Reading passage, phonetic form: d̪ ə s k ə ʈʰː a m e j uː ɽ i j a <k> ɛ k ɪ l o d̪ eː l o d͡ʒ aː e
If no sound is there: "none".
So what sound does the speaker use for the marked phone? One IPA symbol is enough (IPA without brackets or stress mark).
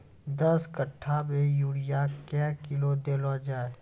k